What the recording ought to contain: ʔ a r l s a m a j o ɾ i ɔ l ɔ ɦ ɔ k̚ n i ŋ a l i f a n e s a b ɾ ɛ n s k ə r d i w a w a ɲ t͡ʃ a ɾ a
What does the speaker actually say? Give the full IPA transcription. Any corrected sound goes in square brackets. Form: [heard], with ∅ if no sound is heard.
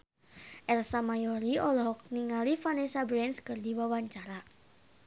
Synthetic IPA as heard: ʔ [ɛ] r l s a m a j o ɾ i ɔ l ɔ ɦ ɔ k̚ n i ŋ a l i f a n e s a b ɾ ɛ n s k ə r d i w a w a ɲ t͡ʃ a ɾ a

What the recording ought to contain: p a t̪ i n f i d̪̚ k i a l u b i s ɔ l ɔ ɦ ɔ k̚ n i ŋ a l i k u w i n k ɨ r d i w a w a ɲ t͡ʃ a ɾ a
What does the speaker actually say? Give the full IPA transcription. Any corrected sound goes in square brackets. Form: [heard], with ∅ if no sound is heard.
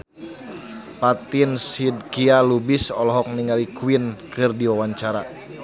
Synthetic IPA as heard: p a t̪ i n [s] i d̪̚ k i a l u b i s ɔ l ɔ ɦ ɔ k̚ n i ŋ a l i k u w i n k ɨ r d i w a w a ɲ t͡ʃ a ɾ a

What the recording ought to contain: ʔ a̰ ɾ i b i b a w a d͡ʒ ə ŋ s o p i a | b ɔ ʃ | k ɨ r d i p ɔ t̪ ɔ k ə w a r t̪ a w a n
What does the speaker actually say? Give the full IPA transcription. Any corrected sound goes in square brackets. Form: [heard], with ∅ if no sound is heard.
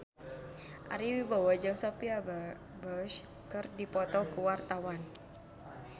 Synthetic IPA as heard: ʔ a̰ ɾ i [w] i b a w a d͡ʒ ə ŋ s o p i a | b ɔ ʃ | k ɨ r d i p ɔ t̪ ɔ k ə w a r t̪ a w a n

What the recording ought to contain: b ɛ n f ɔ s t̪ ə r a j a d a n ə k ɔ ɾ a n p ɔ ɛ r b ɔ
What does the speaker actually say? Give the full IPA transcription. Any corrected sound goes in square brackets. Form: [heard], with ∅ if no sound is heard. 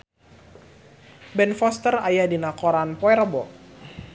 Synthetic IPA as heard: b ɛ n f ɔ s t̪ ə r a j a d [i] n [a] k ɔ ɾ a n p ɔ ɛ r b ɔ

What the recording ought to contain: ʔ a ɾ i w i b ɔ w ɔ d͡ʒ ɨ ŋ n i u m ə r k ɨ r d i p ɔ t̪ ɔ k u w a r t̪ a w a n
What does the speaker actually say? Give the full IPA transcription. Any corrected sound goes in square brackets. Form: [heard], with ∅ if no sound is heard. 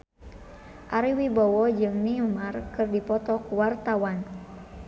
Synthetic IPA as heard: ʔ a ɾ i w i b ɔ w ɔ d͡ʒ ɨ ŋ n i u m [a] r k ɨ r d i p ɔ t̪ ɔ k u w a r t̪ a w a n

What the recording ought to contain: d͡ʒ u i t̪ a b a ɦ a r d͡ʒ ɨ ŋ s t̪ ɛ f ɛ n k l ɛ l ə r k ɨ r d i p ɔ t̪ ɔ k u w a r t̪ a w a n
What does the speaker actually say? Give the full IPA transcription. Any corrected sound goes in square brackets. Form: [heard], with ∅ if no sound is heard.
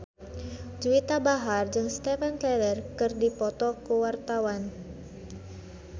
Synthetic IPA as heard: d͡ʒ u i t̪ a b a ɦ a r d͡ʒ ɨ ŋ s t̪ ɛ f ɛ n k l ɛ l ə r k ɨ r d i p ɔ t̪ ɔ k u w a r t̪ a w a n

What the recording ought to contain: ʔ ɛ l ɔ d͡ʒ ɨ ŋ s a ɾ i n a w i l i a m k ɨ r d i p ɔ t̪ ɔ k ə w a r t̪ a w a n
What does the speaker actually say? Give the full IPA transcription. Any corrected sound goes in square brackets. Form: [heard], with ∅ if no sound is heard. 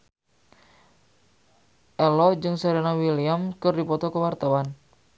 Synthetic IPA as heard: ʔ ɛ l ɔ d͡ʒ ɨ ŋ s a ɾ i n a w i l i a m k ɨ r d i p ɔ t̪ ɔ k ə w a r t̪ a w a n

